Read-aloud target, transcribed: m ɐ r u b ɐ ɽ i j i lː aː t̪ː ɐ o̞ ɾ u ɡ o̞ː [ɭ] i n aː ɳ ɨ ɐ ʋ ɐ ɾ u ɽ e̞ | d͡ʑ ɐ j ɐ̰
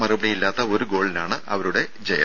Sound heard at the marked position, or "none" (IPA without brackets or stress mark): ɭ